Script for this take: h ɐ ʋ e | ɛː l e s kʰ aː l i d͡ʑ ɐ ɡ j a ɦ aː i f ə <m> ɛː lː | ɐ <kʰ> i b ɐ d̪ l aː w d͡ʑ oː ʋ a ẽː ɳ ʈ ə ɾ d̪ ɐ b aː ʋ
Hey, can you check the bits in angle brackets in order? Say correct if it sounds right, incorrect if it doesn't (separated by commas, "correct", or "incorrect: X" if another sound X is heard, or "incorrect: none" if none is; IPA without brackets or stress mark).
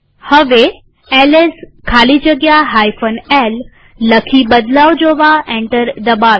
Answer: incorrect: n, correct